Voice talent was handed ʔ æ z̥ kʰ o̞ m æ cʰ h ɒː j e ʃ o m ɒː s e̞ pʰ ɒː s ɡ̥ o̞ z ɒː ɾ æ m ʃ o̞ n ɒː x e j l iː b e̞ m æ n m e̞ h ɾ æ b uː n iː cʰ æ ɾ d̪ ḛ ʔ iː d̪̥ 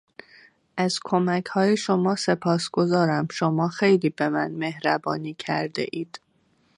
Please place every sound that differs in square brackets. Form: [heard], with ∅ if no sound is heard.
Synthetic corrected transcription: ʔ æ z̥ kʰ o̞ m æ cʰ h ɒː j e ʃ o m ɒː s e̞ pʰ ɒː s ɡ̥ o̞ z ɒː ɾ æ m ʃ o̞ [m] ɒː x e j l iː b e̞ m æ n m e̞ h ɾ æ b [ɒː] n iː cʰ æ ɾ d̪ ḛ ʔ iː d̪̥